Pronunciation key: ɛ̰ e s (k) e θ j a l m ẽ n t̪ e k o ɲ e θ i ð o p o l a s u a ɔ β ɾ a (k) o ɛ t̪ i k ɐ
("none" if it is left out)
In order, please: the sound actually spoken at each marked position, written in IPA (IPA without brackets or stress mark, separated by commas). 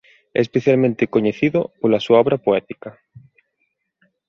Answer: p, p